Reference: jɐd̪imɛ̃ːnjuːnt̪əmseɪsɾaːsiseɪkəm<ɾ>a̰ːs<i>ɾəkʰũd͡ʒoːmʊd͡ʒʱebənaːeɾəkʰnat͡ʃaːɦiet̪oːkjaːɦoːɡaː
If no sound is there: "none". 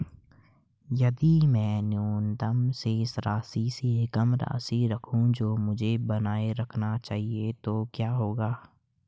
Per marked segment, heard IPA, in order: ɾ, i

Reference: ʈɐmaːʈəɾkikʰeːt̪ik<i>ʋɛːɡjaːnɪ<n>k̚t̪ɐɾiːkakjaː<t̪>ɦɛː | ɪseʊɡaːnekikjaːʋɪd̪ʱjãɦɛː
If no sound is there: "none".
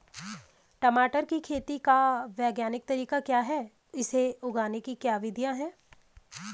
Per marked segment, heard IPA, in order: a, none, none

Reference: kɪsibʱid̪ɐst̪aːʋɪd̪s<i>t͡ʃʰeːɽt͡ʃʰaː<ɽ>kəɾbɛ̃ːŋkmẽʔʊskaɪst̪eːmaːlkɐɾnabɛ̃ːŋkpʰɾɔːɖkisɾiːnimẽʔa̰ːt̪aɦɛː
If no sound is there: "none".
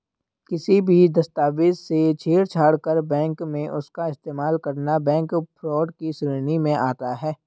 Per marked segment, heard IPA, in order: e, ɽ

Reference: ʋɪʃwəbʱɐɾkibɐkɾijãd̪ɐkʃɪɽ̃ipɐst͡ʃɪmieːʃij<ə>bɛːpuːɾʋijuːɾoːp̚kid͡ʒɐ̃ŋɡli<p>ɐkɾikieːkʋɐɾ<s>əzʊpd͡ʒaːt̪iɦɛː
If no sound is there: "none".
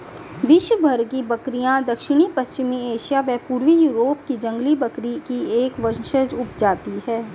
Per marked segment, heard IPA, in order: a, b, ʃ

